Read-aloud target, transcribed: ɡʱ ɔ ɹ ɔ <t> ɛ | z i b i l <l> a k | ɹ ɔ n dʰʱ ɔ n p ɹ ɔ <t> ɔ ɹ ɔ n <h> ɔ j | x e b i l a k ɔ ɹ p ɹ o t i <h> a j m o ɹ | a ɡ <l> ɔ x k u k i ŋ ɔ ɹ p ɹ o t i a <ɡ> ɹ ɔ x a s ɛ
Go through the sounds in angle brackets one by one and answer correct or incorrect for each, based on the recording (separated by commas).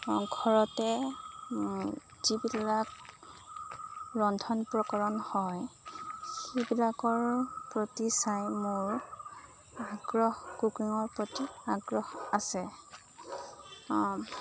correct, correct, incorrect, correct, incorrect, incorrect, correct